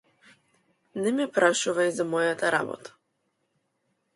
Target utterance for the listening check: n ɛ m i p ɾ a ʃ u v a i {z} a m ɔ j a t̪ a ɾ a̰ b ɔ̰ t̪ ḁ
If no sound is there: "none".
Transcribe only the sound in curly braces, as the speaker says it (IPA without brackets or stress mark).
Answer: z